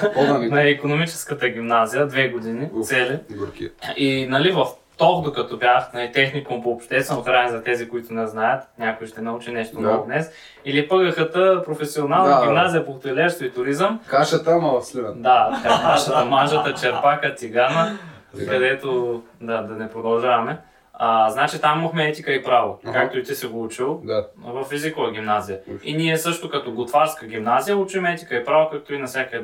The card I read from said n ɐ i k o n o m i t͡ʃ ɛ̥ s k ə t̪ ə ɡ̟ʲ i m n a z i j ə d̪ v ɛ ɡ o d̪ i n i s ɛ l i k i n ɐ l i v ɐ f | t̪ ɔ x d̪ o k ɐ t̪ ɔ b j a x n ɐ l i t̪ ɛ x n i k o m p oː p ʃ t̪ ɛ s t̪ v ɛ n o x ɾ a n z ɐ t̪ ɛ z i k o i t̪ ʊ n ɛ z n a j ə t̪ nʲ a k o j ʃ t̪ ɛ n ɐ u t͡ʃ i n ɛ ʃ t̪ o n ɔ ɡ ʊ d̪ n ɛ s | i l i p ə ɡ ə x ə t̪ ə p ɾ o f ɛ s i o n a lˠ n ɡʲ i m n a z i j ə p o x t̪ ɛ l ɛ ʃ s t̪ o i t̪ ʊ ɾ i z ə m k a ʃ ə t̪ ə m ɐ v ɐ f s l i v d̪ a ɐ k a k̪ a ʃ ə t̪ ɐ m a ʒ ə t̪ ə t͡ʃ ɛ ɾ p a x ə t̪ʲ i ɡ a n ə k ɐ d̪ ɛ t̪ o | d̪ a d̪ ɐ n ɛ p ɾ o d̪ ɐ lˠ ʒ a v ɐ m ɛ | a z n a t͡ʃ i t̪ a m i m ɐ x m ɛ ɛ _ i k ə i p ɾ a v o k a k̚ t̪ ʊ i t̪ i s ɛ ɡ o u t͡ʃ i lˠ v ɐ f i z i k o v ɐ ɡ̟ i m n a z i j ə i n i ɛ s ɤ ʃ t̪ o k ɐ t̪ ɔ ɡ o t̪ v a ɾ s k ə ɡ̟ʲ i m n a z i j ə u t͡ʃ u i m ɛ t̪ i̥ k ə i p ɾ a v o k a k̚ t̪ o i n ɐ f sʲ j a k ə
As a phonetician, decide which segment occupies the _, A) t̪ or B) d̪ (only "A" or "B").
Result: A